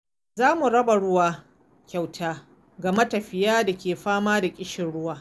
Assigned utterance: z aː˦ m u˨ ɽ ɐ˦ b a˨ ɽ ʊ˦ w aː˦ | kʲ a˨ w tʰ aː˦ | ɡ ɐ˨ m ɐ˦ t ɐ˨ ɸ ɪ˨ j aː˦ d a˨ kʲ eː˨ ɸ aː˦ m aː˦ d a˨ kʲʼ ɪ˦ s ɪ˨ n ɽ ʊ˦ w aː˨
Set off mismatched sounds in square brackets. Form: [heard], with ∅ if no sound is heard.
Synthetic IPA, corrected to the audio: z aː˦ m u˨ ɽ ɐ˦ b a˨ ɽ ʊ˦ w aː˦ | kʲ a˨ w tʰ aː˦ | ɡ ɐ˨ m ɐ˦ t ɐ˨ ɸ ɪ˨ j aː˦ d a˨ kʲ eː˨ ɸ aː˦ m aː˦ d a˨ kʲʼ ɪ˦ [ʃ] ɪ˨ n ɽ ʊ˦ w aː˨

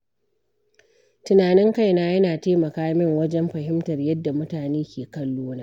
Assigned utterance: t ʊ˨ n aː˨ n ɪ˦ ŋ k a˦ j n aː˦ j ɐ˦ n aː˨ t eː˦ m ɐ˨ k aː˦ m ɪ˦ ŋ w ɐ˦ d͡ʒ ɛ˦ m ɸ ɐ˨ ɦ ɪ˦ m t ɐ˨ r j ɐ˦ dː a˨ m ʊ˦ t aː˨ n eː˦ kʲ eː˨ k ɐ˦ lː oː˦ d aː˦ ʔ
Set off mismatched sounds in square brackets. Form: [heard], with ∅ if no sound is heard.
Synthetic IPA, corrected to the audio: t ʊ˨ n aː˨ n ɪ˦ ŋ k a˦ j n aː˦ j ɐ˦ n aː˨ t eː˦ m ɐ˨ k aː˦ m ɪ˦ ŋ w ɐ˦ d͡ʒ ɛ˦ m ɸ ɐ˨ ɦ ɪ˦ m t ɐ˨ r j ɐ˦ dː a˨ m ʊ˦ t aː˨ n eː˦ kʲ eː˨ k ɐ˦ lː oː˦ [n] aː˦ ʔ

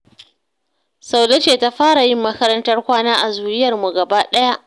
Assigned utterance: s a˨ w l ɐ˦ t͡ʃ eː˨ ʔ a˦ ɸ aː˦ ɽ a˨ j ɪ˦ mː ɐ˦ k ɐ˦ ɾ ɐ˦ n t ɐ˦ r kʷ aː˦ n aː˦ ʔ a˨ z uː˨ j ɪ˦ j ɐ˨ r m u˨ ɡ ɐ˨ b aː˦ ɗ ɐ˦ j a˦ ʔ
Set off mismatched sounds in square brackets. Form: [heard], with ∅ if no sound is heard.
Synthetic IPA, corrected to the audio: s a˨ w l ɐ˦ t͡ʃ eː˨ [t] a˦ ɸ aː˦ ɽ a˨ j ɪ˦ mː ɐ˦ k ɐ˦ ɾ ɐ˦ n t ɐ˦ r kʷ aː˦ n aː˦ ʔ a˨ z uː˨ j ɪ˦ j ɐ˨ r m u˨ ɡ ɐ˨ b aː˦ ɗ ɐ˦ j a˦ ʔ

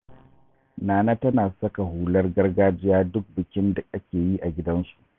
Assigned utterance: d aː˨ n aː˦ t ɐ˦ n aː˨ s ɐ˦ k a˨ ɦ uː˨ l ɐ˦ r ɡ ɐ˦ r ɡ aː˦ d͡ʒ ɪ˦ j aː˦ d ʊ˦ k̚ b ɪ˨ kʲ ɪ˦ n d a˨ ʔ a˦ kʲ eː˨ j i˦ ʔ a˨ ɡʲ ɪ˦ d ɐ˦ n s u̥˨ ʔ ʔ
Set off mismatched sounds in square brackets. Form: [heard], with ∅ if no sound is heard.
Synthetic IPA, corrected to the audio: [n] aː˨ n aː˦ t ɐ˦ n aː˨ s ɐ˦ k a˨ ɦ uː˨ l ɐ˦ r ɡ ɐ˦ r ɡ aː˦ d͡ʒ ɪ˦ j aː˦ d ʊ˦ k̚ b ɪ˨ kʲ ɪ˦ n d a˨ ʔ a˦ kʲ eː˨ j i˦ ʔ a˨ ɡʲ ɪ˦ d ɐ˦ n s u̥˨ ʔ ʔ

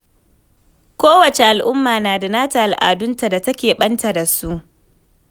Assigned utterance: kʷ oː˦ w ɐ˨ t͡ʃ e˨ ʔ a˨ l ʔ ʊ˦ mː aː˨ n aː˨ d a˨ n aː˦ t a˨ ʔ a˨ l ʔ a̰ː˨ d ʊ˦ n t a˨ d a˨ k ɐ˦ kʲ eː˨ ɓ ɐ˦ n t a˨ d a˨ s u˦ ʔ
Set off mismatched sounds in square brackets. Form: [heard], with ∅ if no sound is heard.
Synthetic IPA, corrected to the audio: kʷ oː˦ w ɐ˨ t͡ʃ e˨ ʔ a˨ l ʔ ʊ˦ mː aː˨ n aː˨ d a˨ n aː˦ t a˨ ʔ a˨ l ʔ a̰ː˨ d ʊ˦ n t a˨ d a˨ [t] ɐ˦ kʲ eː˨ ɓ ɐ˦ n t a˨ d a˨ s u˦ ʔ

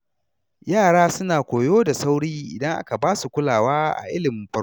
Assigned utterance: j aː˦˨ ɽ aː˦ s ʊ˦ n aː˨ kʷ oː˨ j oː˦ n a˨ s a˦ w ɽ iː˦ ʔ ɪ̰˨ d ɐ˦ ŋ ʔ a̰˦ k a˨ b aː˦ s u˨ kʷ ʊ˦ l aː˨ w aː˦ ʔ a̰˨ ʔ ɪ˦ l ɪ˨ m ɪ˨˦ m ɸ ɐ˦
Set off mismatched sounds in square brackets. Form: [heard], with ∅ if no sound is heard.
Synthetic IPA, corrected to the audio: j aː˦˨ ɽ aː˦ s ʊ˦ n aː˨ kʷ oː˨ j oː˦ [d] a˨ s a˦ w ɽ iː˦ ʔ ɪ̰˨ d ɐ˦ ŋ ʔ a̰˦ k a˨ b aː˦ s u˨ kʷ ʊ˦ l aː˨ w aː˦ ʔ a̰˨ ʔ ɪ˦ l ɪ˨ m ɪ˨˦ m ɸ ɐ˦

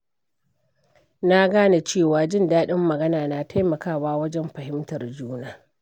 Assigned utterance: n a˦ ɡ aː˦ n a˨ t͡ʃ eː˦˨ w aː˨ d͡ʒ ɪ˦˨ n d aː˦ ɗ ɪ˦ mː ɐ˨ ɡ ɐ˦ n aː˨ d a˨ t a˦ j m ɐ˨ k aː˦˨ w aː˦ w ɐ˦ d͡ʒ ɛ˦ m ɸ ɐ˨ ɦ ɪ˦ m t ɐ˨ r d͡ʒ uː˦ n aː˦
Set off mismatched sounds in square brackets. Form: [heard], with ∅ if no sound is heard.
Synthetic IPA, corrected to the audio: n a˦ ɡ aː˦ n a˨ t͡ʃ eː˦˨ w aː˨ d͡ʒ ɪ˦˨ n d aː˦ ɗ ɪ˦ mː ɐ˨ ɡ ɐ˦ n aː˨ [n] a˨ t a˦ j m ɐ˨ k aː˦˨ w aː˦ w ɐ˦ d͡ʒ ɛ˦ m ɸ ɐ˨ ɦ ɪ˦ m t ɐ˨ r d͡ʒ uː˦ n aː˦

